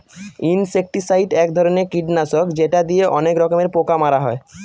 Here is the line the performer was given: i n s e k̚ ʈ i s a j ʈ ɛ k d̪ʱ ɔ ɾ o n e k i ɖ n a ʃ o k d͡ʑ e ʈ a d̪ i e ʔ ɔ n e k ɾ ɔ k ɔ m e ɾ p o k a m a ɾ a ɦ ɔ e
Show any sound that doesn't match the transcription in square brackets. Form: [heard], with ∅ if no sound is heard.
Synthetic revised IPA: i n s e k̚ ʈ i s a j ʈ ɛ k d̪ʱ ɔ ɾ o n e k i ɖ n a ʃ o k d͡ʑ e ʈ a d̪ i e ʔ ɔ n e k ɾ ɔ k [o] m e ɾ p o k a m a ɾ a ɦ ɔ e